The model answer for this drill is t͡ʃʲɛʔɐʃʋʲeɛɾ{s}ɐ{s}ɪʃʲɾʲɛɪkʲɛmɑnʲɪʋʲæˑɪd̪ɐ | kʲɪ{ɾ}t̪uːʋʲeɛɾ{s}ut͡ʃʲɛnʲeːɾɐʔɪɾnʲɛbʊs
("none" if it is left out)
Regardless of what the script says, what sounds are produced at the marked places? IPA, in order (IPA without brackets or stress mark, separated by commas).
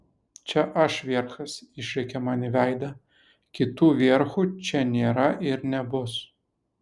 x, s, none, x